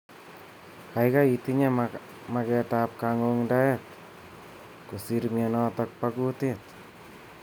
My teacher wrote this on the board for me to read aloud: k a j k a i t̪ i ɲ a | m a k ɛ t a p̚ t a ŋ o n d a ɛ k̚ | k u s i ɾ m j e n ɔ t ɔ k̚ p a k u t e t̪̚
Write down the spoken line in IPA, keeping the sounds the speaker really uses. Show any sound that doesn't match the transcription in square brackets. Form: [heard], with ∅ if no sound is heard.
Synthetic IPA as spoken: k a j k a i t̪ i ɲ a | m a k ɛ t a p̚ [k] a ŋ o [ŋ] d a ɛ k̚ | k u s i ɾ m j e n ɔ t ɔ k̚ p a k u t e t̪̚

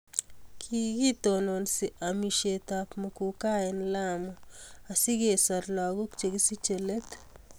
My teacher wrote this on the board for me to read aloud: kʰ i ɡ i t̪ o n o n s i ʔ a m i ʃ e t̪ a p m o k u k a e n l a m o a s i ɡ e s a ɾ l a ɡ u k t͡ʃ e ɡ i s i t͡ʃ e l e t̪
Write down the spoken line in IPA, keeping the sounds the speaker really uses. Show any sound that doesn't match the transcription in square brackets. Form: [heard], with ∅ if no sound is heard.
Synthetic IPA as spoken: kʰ i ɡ i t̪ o n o n s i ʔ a m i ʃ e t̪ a p m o k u k a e n l a m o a s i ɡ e s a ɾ l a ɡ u k t͡ʃ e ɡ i s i t͡ʃ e l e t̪

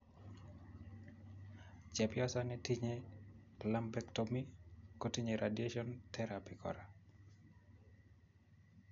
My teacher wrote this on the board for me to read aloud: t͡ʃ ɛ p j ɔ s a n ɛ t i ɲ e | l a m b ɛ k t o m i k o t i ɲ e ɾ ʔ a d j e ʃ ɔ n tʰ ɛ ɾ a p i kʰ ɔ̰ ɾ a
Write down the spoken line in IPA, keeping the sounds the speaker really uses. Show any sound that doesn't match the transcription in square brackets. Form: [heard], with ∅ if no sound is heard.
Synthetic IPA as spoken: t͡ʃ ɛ p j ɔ s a n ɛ t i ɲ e | l a m b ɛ k t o m i k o t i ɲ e ɾ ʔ a d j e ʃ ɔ n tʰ ɛ ɾ a p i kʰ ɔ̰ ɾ a

